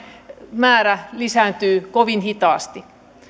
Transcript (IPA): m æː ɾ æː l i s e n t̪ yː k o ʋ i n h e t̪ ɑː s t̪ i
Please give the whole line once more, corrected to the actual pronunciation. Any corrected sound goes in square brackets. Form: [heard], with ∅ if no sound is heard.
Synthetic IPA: m æː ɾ [æ] l i s [æ] n t̪ yː k o ʋ i n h [i] t̪ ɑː s t̪ i